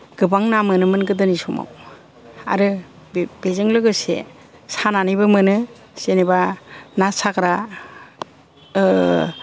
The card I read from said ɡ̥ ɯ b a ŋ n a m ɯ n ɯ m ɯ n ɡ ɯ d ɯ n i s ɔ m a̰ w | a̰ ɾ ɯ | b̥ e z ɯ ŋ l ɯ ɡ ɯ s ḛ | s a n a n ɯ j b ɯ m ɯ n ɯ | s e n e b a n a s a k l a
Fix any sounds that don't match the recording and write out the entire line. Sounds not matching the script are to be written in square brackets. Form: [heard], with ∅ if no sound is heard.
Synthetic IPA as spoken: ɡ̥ ɯ b a ŋ n a m ɯ n ɯ m ɯ n ɡ ɯ d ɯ n i s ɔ m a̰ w | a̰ ɾ ɯ | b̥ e z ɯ ŋ l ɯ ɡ ɯ s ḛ | s a n a n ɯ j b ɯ m ɯ n ɯ | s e n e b a n a s a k [ɾ] a